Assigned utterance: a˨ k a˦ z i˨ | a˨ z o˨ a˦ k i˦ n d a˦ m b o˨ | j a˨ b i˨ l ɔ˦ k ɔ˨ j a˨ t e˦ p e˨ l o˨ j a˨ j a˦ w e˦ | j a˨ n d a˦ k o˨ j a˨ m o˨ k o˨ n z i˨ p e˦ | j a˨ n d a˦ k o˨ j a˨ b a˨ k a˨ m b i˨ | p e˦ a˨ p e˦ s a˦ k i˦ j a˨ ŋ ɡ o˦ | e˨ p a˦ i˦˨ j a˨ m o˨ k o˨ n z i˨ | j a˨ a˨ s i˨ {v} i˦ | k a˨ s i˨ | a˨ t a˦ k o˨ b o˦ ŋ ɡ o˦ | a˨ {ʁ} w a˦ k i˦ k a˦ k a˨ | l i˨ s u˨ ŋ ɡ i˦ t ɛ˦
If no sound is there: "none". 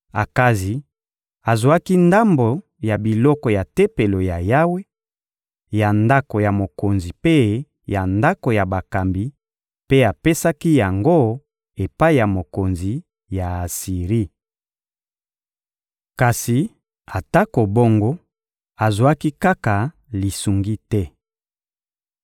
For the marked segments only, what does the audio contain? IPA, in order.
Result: ʁ, z

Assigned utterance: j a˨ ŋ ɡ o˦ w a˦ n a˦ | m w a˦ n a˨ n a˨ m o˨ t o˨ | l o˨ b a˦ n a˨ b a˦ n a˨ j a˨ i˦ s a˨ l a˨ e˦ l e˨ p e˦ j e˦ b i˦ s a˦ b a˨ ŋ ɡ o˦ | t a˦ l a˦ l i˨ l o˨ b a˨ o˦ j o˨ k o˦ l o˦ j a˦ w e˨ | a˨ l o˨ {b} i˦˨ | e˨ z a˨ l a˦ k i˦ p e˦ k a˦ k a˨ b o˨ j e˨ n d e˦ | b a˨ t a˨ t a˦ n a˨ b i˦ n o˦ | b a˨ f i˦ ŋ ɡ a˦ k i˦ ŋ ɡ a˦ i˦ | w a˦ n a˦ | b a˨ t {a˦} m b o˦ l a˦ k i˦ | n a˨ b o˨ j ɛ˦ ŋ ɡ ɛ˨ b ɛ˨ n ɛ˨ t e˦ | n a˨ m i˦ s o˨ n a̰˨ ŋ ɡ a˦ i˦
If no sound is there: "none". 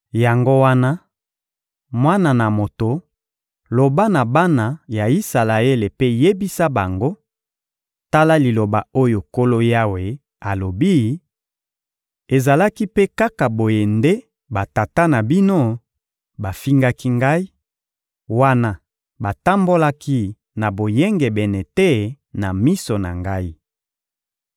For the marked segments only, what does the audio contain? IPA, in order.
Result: b, a˦

